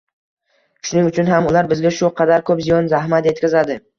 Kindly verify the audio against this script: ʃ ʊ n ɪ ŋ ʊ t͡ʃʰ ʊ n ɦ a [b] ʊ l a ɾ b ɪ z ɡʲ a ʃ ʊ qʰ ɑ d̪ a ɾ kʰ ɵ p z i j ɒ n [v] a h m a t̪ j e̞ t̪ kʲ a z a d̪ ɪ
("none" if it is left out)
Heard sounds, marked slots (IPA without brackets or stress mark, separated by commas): m, z